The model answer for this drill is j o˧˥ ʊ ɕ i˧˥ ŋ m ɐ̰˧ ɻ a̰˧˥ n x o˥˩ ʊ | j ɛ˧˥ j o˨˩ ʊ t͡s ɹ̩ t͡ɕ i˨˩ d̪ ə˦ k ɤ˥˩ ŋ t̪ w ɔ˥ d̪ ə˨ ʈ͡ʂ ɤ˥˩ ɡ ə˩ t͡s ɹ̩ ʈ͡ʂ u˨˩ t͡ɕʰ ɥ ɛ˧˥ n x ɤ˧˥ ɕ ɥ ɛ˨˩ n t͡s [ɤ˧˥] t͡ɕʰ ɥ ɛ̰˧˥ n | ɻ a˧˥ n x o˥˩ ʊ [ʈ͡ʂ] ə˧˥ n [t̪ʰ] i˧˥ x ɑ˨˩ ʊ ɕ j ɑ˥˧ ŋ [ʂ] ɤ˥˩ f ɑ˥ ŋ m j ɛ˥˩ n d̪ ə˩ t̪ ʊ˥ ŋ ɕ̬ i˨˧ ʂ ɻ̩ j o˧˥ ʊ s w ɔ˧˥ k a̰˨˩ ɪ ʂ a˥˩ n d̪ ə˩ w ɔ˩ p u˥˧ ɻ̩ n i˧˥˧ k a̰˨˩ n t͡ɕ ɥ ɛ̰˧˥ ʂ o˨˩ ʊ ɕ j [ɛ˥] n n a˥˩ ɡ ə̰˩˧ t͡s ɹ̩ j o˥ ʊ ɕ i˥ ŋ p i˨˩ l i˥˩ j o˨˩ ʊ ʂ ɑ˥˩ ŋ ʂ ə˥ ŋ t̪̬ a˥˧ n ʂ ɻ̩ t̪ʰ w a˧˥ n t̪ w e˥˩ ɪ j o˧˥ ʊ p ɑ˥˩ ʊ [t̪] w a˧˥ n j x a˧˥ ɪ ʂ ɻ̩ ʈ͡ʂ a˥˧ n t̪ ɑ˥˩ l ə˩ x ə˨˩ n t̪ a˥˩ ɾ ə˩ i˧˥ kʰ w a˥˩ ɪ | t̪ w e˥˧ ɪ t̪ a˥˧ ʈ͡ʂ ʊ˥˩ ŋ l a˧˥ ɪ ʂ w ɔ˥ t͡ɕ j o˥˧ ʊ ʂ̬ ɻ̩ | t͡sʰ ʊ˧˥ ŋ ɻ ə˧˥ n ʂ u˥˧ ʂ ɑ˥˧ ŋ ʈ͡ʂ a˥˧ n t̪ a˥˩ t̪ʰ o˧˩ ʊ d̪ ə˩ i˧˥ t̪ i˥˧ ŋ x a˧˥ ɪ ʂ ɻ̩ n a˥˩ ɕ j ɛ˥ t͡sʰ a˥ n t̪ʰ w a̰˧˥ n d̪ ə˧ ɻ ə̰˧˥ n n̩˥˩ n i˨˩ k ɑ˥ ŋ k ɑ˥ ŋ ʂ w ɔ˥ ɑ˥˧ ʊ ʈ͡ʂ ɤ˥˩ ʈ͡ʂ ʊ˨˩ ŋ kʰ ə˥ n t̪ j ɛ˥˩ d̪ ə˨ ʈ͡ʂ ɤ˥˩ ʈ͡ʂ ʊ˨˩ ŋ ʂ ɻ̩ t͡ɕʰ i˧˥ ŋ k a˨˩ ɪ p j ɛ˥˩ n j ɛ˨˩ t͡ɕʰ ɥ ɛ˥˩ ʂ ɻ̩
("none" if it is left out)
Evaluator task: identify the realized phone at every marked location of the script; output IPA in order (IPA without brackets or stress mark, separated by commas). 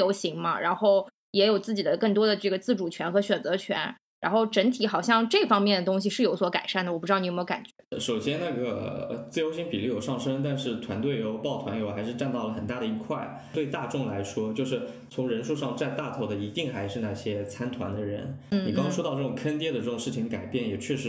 ɤ˧˥, ʈ͡ʂ, t̪ʰ, ʈ͡ʂ, ɛ˥, t̪ʰ